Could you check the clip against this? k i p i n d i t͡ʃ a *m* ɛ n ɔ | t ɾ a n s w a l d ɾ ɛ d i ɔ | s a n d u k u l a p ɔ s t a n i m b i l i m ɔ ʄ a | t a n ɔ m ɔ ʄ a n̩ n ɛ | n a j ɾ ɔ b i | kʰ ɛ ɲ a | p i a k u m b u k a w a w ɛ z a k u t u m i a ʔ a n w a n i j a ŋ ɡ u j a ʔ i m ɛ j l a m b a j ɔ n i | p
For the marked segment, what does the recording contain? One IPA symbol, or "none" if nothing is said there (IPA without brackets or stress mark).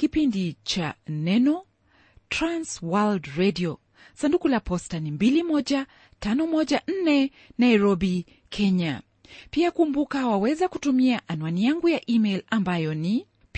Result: n